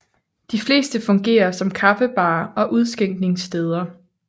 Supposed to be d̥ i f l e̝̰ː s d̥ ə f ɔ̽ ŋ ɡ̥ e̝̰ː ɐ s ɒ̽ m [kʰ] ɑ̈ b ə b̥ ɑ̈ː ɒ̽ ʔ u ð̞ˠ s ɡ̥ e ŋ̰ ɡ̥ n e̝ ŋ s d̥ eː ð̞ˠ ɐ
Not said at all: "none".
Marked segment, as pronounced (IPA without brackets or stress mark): kʰ